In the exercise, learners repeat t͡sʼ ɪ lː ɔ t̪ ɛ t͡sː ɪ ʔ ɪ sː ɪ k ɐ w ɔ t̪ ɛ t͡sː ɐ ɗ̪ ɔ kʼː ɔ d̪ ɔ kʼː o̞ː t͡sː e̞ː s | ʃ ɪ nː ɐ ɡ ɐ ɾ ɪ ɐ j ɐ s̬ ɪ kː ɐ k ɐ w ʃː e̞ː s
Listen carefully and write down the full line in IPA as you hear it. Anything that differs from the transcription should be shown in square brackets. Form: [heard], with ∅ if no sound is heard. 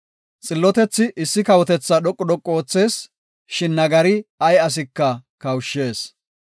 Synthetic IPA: t͡sʼ ɪ lː ɔ t̪ ɛ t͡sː ɪ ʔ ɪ sː ɪ k ɐ w ɔ t̪ ɛ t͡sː ɐ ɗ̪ ɔ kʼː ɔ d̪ ɔ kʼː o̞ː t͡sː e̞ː s | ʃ ɪ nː ɐ ɡ ɐ ɾ ɪ ɐ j ɐ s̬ ɪ kː ɐ k ɐ w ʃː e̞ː s